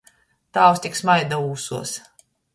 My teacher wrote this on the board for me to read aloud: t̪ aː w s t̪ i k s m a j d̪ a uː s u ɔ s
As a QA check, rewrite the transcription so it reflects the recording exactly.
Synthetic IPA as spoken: t̪ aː w s t̪ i k s m a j d̪ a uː s u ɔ s